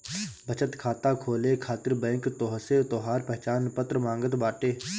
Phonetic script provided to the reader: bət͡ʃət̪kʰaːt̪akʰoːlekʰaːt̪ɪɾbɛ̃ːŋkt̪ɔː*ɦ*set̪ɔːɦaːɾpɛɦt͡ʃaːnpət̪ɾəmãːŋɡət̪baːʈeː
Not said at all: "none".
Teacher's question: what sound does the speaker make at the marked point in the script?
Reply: ɦ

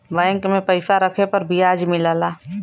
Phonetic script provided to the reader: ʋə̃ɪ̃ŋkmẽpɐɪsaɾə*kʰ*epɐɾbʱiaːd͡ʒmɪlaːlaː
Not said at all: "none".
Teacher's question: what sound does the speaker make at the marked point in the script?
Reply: kʰ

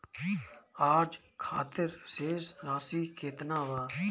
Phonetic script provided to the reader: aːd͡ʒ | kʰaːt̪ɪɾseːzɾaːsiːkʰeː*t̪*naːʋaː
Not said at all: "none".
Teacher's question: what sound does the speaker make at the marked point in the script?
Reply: t̪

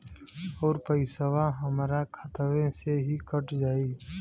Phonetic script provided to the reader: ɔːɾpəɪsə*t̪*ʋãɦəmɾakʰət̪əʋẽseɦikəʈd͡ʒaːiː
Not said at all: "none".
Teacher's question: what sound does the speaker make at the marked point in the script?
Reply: none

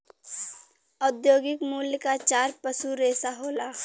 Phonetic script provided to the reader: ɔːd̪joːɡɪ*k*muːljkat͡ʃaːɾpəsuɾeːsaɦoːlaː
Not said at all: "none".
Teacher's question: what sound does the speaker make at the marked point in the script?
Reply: k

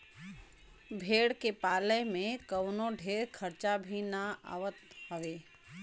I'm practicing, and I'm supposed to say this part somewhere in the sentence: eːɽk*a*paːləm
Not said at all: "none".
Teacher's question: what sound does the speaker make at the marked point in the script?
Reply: e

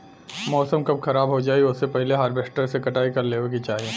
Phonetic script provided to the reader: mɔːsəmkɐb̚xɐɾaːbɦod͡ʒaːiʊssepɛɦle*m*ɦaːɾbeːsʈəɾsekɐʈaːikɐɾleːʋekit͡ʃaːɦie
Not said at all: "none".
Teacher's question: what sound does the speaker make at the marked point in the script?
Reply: none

